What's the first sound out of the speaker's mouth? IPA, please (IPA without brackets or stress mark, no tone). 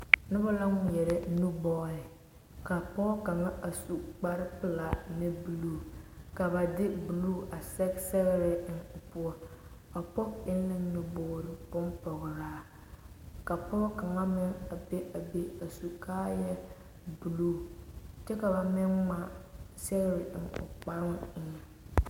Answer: n